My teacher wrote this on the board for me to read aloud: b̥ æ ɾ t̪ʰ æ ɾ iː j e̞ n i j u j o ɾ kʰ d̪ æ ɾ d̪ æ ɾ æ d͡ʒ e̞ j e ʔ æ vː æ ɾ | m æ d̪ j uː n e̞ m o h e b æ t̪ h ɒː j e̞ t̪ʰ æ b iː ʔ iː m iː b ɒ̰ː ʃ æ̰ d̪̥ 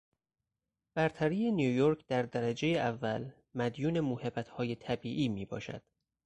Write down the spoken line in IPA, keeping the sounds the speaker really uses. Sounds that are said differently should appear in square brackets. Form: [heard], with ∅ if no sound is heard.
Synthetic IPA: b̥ æ ɾ t̪ʰ æ ɾ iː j e̞ n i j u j o ɾ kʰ d̪ æ ɾ d̪ æ ɾ æ d͡ʒ e̞ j e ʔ æ vː æ [l] | m æ d̪ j uː n e̞ m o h e b æ t̪ h ɒː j e̞ t̪ʰ æ b iː ʔ iː m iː b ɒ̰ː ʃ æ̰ d̪̥